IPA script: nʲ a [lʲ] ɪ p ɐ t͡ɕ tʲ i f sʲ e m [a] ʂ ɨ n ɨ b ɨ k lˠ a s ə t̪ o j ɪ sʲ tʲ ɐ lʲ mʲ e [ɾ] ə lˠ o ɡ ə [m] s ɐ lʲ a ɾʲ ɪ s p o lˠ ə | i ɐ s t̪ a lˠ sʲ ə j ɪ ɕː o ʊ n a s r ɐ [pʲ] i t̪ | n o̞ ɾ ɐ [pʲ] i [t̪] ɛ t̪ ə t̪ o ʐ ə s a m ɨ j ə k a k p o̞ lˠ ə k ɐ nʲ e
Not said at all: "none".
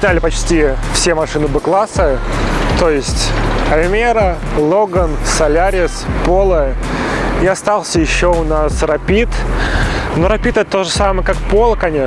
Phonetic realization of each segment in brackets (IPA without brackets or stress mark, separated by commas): lʲ, ɐ, ɾ, n, pʲ, pʲ, t̪